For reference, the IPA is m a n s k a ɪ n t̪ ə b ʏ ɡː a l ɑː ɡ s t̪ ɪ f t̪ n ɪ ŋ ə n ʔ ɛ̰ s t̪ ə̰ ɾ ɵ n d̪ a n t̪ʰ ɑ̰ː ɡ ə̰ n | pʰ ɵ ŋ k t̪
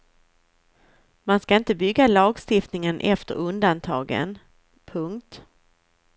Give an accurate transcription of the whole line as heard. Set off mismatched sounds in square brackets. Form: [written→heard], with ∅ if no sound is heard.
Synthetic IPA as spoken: m a n s k a ɪ n t̪ ə b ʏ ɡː a l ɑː ɡ s t̪ ɪ f t̪ n ɪ ŋ ə n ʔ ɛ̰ [s→f] t̪ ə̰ ɾ ɵ n d̪ a n t̪ʰ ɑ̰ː ɡ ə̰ n | pʰ ɵ ŋ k t̪

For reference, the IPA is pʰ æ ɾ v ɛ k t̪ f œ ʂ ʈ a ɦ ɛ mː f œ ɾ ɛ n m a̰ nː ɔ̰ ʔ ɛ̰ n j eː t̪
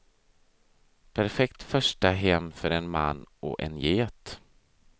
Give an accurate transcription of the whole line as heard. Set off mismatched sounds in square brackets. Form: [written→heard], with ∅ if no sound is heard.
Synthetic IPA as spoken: pʰ æ ɾ [v→f] ɛ k t̪ f œ ʂ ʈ a ɦ ɛ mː f œ ɾ ɛ n m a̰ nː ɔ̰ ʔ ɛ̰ n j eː t̪

